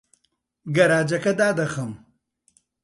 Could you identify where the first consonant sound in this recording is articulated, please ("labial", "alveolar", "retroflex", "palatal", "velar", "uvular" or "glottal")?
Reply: velar